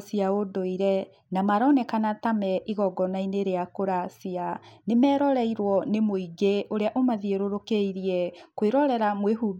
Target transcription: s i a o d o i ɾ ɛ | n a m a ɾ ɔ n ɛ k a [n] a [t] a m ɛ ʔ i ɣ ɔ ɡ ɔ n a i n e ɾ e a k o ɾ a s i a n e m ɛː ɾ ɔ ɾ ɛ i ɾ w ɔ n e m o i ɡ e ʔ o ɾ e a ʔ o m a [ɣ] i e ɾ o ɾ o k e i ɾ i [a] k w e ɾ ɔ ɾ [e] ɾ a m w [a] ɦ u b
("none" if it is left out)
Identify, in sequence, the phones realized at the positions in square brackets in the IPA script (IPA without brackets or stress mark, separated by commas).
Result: n, t, ð, ɛ, ɛ, e